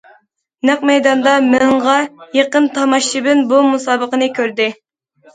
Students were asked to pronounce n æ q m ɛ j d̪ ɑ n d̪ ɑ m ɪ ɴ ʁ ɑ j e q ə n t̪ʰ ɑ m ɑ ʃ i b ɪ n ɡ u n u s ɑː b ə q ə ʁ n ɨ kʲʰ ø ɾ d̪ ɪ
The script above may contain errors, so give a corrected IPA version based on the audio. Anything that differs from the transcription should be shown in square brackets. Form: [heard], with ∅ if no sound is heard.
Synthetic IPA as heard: n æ q m ɛ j d̪ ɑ n d̪ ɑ m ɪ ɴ ʁ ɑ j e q ə n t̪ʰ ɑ m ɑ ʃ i b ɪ n [b] u [m] u s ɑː b ə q ə [∅] n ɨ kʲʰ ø ɾ d̪ ɪ